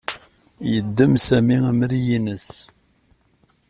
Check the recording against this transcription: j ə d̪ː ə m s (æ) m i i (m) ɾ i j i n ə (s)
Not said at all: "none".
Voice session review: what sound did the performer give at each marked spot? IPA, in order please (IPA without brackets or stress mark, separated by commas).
æ, m, s